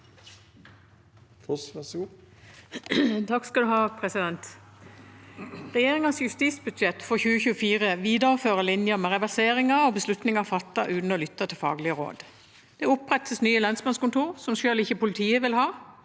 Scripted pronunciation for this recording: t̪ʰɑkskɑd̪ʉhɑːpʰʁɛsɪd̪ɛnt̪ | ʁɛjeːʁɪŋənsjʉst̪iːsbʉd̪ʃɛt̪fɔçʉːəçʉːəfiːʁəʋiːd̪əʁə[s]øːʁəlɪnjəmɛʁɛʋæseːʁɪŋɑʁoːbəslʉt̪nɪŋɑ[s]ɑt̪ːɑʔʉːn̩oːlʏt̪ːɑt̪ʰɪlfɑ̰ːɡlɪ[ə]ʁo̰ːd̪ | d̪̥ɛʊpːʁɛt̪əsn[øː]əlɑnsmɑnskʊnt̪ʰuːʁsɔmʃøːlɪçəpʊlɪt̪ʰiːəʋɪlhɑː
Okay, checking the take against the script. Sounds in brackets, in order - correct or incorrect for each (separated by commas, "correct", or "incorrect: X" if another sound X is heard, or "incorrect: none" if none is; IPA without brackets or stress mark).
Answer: incorrect: f, incorrect: f, correct, incorrect: yː